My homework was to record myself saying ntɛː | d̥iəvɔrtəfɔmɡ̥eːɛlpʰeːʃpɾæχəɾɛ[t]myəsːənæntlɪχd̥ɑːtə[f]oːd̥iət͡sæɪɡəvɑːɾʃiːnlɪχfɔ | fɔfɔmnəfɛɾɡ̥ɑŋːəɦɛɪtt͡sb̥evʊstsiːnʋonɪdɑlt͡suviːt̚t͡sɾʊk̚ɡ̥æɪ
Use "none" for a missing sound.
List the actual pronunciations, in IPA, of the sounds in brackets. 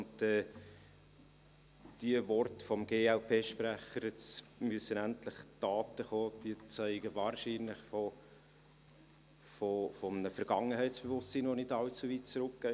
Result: t͡s, χ

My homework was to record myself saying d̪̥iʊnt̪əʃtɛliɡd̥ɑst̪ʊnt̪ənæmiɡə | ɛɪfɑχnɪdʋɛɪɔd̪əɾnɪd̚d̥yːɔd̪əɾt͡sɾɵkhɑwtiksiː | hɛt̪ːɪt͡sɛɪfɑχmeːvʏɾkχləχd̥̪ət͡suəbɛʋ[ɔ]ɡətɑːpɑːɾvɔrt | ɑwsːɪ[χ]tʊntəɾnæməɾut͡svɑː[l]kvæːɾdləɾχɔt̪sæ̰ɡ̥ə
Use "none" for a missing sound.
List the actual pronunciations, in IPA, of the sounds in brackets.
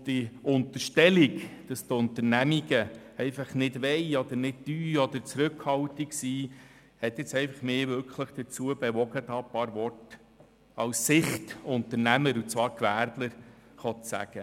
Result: ɔ, χ, ɾ

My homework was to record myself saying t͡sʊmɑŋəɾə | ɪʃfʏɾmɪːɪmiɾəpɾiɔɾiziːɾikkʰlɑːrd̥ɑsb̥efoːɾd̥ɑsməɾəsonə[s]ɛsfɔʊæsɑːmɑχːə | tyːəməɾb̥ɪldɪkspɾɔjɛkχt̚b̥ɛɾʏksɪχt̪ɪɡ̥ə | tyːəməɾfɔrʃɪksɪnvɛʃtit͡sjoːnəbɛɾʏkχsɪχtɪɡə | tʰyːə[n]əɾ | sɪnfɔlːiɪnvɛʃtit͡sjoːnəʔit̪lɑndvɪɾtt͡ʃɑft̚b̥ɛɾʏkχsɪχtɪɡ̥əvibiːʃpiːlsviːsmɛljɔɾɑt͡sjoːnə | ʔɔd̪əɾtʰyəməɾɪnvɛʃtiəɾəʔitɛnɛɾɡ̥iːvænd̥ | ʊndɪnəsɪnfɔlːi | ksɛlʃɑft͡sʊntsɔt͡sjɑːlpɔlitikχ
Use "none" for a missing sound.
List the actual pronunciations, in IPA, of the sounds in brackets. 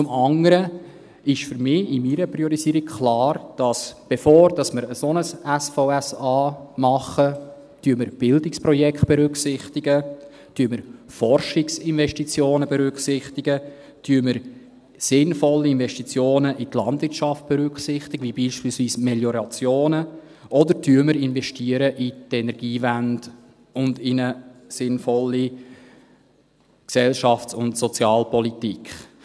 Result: s, m

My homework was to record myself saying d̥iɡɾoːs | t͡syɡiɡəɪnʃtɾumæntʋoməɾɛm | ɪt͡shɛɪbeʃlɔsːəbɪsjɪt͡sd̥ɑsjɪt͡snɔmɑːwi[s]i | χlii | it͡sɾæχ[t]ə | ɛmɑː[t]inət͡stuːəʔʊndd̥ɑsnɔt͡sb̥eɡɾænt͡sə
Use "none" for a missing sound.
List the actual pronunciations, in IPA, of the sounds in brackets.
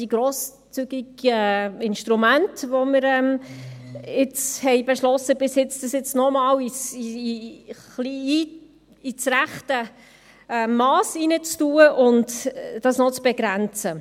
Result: s, t, s

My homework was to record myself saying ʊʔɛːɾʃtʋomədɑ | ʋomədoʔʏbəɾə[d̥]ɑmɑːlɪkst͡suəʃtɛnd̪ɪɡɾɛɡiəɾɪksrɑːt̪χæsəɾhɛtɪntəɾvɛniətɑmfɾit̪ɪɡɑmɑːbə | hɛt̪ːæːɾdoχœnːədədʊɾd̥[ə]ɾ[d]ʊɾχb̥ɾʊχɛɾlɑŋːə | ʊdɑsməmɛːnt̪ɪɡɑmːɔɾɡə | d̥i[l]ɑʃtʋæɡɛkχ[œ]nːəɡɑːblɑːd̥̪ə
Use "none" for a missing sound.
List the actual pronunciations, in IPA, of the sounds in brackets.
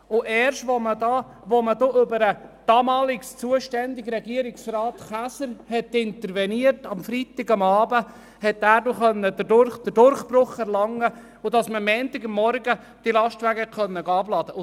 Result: d̥, ə, d, l, œ

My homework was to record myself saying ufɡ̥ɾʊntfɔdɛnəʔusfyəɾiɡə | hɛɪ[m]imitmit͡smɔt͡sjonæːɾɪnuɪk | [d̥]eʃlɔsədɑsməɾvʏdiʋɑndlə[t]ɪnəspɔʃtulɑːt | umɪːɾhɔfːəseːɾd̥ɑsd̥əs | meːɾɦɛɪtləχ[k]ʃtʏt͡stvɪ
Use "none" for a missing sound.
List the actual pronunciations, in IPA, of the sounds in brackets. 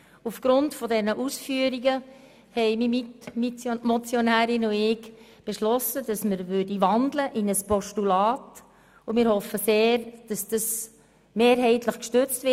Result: m, b̥, ʔ, k

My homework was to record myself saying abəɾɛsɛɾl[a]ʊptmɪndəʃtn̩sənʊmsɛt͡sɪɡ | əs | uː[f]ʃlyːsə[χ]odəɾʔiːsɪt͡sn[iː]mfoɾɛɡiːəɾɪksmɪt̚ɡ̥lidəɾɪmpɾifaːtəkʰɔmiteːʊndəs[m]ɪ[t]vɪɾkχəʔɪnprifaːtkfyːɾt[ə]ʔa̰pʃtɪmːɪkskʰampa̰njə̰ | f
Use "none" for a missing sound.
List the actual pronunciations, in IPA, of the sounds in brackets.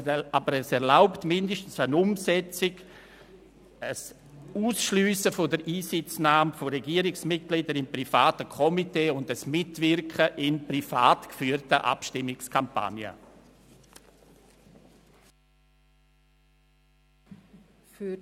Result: a, s, f, aː, m, t, ə

